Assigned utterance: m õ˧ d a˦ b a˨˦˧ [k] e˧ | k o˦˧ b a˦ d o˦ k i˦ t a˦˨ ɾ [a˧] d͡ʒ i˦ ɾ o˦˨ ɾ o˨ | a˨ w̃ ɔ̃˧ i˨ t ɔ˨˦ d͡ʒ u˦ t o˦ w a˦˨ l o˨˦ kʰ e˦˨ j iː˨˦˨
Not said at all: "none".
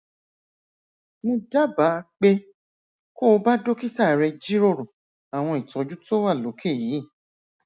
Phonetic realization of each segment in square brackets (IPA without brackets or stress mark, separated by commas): k͡p, ɛ˧